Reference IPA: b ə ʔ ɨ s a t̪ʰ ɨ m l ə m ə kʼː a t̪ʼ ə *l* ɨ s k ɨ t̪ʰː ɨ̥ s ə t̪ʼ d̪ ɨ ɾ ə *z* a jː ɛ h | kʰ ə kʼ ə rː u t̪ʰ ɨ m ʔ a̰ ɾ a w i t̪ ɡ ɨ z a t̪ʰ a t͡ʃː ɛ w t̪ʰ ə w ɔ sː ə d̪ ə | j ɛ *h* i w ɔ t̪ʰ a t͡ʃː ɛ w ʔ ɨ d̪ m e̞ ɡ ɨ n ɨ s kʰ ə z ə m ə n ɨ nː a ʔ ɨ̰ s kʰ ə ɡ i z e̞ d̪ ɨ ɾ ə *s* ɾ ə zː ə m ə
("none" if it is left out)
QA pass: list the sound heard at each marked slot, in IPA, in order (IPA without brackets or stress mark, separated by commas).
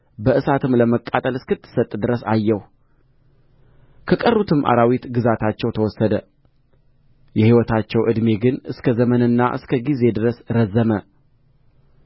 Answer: l, s, h, s